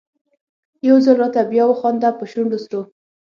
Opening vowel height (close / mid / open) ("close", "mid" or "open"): open